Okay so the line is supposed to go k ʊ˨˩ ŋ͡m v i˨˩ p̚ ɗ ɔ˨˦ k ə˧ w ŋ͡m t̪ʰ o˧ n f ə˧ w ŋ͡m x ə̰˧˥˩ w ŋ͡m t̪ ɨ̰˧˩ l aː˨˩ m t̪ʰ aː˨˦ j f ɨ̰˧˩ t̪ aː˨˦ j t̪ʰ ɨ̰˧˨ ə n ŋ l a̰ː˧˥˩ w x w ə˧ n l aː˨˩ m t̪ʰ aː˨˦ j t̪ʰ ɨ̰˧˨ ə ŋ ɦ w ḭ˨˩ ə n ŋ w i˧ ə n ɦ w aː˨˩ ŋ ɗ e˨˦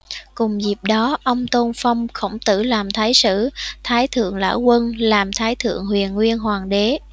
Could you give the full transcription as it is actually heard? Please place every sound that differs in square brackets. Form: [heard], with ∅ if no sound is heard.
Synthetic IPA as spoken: k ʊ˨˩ ŋ͡m [z] i˨˩ p̚ ɗ ɔ˨˦ [ʔ] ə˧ w ŋ͡m [t̪] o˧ n f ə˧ w ŋ͡m x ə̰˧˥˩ w ŋ͡m t̪ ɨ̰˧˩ l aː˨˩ m t̪ʰ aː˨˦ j [s] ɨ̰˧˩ [t̪ʰ] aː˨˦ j t̪ʰ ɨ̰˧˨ ə [∅] ŋ l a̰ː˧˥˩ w [k] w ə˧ n l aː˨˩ m t̪ʰ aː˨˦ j t̪ʰ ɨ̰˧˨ ə ŋ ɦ w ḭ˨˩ ə n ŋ w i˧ ə n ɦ w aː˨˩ ŋ ɗ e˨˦